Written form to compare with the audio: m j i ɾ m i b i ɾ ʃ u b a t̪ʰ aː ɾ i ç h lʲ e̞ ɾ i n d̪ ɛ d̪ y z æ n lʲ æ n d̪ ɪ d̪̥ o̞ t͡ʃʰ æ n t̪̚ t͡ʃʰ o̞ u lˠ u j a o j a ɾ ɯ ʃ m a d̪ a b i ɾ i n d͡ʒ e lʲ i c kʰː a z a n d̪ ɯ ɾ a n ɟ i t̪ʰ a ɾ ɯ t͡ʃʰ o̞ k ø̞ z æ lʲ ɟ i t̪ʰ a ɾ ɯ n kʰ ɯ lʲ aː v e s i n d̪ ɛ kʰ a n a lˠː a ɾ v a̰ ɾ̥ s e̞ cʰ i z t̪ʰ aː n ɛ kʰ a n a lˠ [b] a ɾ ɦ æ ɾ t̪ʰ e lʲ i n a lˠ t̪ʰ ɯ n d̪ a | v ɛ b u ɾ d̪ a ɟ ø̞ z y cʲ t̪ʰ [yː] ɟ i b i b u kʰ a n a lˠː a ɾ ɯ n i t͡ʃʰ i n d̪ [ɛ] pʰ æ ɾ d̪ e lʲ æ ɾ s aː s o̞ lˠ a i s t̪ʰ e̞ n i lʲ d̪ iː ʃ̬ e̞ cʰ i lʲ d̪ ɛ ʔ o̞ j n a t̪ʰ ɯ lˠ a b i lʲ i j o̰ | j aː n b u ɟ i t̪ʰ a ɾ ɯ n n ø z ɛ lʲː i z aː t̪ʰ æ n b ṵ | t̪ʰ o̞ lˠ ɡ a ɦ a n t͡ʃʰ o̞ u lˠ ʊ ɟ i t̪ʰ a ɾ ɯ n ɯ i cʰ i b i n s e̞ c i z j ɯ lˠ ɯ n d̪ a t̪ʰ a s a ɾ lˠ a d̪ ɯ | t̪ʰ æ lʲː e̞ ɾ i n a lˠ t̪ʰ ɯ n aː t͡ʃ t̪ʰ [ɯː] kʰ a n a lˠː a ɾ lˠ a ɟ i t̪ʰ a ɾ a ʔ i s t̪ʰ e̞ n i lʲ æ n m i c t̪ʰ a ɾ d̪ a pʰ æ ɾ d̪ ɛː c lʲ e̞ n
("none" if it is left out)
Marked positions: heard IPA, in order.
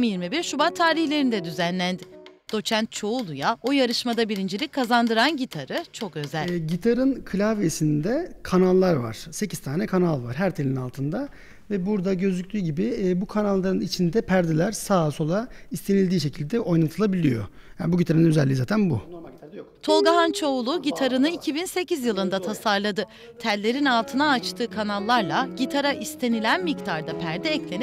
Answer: v, yː, ɛ, ɯː

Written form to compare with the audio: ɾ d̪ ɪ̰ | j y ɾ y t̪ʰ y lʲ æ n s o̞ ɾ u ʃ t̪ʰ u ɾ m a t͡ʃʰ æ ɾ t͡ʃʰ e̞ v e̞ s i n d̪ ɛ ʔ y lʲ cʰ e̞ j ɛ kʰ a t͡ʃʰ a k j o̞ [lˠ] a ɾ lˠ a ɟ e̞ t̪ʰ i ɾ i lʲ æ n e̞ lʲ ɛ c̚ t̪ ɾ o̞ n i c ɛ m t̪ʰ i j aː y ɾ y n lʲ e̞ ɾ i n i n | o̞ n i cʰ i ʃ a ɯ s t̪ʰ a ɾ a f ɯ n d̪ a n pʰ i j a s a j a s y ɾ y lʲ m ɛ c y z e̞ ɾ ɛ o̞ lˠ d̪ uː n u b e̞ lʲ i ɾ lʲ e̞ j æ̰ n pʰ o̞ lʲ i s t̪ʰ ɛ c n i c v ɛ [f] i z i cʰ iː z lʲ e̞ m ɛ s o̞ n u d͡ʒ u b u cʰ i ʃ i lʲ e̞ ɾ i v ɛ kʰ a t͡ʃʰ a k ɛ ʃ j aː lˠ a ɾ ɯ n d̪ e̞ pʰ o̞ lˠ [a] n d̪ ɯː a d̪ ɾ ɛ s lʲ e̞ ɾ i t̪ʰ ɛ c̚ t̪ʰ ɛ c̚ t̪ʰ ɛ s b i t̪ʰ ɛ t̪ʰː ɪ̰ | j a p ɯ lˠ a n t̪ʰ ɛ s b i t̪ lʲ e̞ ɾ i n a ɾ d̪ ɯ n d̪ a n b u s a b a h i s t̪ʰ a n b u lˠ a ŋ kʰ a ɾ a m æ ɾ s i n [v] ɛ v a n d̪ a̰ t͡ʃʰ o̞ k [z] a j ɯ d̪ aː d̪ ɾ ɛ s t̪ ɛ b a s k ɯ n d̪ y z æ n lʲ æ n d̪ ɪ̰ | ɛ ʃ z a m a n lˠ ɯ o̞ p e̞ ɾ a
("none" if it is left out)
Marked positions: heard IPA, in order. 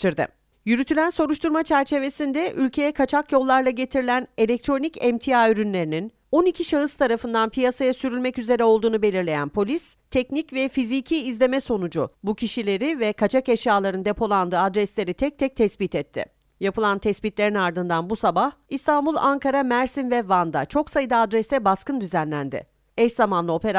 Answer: lˠː, f, a, v, s

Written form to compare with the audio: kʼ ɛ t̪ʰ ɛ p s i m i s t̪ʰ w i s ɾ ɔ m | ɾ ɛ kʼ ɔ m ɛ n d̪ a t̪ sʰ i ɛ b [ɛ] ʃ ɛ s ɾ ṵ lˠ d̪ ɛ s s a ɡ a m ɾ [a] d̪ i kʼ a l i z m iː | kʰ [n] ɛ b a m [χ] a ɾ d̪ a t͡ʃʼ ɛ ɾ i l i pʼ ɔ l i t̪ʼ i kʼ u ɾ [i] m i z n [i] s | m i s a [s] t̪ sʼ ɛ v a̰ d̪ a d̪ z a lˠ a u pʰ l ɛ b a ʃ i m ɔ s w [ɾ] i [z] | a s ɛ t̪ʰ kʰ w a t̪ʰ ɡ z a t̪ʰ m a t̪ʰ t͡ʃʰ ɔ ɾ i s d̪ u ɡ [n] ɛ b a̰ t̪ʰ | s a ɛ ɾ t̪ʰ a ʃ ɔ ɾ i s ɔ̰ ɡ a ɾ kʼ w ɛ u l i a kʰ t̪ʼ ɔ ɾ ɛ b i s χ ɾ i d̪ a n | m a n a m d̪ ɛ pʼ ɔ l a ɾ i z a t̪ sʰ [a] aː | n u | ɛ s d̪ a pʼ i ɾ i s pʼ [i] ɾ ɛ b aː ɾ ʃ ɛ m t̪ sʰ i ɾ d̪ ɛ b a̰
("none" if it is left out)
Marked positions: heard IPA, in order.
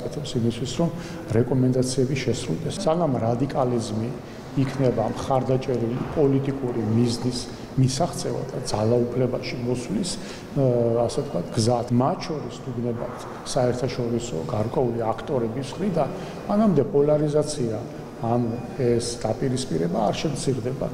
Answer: i, a, n, χ, i, i, χ, l, s, n, i, i

